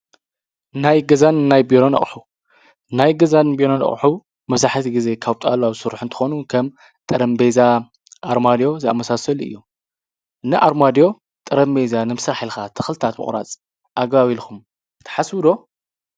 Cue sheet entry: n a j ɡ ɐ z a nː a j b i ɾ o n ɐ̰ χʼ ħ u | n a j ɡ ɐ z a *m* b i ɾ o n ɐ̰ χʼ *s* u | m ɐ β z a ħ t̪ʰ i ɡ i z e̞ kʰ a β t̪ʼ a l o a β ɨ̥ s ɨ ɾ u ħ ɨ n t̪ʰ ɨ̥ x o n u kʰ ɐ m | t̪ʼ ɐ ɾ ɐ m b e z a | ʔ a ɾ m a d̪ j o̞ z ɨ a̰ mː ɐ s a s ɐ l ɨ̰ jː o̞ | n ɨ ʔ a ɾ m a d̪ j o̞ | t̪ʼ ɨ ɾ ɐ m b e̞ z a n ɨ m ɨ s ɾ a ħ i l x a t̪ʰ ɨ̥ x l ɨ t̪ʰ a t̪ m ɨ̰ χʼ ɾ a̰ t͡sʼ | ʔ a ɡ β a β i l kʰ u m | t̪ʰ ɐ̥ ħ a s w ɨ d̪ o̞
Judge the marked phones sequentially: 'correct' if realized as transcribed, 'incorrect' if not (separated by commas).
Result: incorrect, incorrect